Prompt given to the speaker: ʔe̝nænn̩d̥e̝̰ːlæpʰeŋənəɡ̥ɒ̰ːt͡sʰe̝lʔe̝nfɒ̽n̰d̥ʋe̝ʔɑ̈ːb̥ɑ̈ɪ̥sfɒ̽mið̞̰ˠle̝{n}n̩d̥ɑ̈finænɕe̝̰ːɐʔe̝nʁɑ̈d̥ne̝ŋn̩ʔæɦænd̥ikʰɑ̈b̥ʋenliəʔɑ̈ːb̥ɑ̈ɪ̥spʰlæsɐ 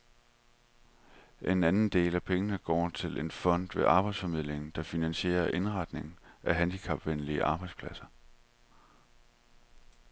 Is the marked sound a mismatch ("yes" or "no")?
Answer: yes